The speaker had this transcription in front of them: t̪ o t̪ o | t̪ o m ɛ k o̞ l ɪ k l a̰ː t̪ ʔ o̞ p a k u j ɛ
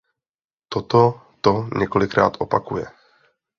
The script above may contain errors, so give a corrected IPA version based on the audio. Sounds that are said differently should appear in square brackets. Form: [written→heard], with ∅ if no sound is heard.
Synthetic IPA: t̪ o t̪ o | t̪ o [m→ɲ] ɛ k o̞ l ɪ k [l→ɾ] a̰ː t̪ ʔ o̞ p a k u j ɛ